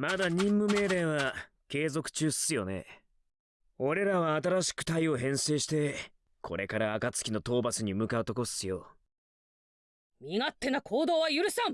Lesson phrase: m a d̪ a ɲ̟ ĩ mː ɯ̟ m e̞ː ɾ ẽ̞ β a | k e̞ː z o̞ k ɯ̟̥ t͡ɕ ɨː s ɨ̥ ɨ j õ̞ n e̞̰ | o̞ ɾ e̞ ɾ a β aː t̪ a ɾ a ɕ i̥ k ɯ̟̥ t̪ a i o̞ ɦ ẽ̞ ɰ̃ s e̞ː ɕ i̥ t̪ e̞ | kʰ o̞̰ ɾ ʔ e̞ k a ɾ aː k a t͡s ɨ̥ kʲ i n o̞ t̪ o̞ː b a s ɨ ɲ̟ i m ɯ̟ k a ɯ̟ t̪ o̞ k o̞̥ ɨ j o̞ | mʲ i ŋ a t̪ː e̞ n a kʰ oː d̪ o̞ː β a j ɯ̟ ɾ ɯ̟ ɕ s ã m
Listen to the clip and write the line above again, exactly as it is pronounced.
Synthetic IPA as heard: m a d̪ a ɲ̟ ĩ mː ɯ̟ m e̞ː ɾ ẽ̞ β a | k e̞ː z o̞ k ɯ̟̥ t͡ɕ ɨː s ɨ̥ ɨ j o̞ n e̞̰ | o̞ ɾ e̞ ɾ a β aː t̪ a ɾ a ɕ i̥ k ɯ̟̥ t̪ a i o̞ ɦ ẽ̞ ɰ̃ s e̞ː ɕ i̥ t̪ e̞ | kʰ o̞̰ ɾ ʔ e̞ k a ɾ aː k a t͡s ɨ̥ kʲ i n o̞ t̪ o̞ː b a s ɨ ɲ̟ i m ɯ̟ k a ɯ̟ t̪ o̞ k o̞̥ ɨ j o̞ | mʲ i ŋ a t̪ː e̞ n a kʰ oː d̪ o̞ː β a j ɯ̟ ɾ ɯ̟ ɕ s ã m

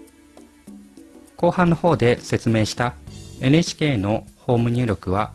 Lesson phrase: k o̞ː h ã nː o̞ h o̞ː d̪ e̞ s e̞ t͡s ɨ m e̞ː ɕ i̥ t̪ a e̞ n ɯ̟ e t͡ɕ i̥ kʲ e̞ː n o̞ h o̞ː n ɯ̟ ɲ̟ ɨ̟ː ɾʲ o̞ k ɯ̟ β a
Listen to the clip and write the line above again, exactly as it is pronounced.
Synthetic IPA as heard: k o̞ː h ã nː o̞ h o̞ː d̪ e̞ s e̞ t͡s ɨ m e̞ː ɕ i̥ t̪ a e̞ n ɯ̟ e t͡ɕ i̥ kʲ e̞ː n o̞ h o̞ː m ɯ̟ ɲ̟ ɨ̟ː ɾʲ o̞ k ɯ̟ β a

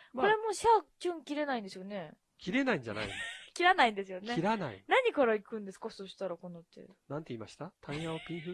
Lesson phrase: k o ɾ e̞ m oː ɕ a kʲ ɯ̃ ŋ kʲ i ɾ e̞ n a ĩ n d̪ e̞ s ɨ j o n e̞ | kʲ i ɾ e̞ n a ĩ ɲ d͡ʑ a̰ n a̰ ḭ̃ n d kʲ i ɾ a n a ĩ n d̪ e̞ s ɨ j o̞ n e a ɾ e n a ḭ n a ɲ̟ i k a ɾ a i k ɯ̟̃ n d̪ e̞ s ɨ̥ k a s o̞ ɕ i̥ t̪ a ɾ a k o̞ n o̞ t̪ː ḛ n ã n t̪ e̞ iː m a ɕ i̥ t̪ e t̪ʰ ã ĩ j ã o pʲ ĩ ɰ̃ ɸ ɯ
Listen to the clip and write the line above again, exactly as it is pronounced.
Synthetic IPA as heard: k o ɾ e̞ m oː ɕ a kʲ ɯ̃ ŋ kʲ i ɾ e̞ n a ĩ n d̪ e̞ s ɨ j o n e̞ | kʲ i ɾ e̞ n a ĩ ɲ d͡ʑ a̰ n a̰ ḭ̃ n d kʲ i ɾ a n a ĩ n d̪ e̞ s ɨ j o̞ n e i ɾ a n a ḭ n a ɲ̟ i k a ɾ a i k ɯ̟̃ n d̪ e̞ s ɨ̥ k a s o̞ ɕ i̥ t̪ a ɾ a k o̞ n o̞ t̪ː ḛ n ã n t̪ e̞ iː m a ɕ i̥ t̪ a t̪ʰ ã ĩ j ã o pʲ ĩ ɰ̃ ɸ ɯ

